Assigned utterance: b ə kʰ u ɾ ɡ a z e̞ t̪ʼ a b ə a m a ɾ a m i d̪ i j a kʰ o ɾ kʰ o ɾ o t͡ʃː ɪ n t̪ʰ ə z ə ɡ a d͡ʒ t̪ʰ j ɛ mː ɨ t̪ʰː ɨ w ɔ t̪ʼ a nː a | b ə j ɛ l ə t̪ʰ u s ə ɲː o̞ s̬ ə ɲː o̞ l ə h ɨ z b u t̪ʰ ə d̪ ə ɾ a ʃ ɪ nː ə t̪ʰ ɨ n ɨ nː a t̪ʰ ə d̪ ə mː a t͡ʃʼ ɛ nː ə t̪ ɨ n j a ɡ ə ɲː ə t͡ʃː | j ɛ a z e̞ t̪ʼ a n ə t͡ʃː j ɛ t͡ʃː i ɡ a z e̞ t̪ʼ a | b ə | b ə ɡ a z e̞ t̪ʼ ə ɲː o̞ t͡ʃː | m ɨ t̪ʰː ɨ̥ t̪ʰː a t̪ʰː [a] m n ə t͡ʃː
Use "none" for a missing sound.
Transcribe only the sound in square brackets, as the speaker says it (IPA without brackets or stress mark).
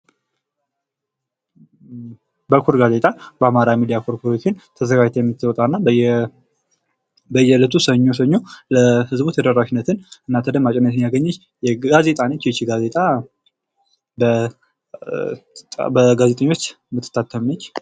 ə